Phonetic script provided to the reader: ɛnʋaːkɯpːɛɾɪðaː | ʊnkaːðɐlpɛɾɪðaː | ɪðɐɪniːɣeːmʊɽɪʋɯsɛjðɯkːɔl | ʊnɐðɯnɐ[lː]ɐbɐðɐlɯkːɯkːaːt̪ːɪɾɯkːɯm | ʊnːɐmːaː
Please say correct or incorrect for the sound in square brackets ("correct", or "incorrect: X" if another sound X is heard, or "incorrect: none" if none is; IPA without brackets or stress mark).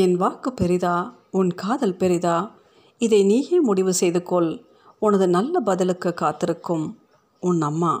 correct